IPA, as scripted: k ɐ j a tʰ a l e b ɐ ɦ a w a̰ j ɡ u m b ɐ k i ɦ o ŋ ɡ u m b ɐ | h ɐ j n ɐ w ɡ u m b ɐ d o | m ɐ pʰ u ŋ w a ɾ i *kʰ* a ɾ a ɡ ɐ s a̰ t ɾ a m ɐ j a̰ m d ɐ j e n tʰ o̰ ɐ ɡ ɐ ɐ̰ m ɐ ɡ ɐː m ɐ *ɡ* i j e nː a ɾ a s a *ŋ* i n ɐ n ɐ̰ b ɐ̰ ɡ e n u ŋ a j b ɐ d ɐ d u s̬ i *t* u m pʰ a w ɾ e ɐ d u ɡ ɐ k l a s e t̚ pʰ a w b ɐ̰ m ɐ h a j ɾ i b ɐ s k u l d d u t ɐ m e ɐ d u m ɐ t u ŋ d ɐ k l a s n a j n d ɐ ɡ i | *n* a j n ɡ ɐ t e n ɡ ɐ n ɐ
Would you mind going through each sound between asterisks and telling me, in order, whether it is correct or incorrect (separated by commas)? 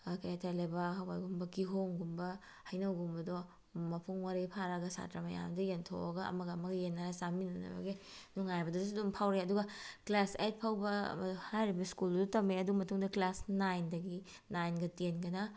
incorrect, correct, incorrect, incorrect, correct